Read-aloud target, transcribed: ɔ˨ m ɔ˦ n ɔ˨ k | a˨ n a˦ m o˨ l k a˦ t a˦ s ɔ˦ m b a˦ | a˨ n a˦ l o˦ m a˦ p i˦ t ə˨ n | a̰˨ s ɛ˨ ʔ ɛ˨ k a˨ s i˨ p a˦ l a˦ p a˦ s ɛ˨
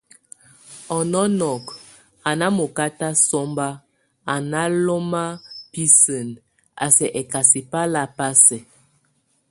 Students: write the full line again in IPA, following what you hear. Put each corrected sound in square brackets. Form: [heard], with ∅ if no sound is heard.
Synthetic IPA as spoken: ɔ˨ [n] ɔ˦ n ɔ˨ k | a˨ n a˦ m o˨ [∅] k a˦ t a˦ s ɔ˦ m b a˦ | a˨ n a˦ l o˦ m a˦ p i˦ [s] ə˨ n | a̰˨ s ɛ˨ ʔ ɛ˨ k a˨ s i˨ p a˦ l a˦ p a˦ s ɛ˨